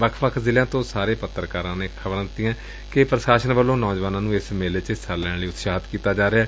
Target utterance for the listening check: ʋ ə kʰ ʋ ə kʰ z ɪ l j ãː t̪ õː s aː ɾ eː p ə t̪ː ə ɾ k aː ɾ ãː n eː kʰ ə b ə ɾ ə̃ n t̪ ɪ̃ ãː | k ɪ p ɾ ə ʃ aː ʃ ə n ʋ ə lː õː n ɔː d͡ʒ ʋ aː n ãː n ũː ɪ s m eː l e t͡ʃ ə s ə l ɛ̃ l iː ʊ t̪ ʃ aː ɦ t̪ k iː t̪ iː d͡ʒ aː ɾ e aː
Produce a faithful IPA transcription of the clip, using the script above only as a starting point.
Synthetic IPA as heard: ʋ ə kʰ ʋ ə kʰ z ɪ l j ãː t̪ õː s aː ɾ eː p ə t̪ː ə ɾ k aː ɾ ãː n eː kʰ ə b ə ɾ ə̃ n t̪ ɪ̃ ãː | k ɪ p ɾ ə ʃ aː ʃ ə n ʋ ə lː õː n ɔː d͡ʒ ʋ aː n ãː n ũː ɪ s m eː l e t͡ʃ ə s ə l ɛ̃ l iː ʊ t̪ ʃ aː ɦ t̪ k iː t̪ aː d͡ʒ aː ɾ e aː